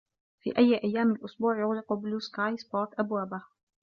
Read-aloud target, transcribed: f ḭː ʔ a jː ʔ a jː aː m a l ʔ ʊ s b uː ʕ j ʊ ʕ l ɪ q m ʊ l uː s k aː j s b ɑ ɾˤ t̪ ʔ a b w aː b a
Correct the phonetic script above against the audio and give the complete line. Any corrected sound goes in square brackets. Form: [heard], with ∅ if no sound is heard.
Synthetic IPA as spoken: f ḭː ʔ a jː ʔ a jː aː m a l ʔ ʊ s b uː ʕ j ʊ [ɣ] l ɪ q [b] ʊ l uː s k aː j s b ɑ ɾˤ t̪ ʔ a b w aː b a